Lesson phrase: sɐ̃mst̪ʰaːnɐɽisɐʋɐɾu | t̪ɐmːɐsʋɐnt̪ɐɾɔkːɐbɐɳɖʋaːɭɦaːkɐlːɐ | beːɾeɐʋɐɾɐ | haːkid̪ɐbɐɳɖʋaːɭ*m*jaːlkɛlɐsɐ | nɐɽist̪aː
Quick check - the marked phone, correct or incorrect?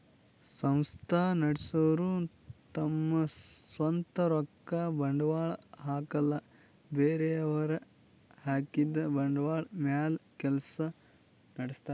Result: correct